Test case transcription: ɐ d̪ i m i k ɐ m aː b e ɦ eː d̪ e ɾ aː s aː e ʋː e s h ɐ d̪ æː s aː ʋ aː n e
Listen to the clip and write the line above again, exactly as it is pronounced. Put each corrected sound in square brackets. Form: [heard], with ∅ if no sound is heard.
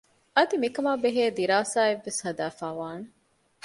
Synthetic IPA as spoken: ɐ d̪ i m i k ɐ m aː b e ɦ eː d̪ [i] ɾ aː s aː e ʋː e s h ɐ d̪ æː [f] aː ʋ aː n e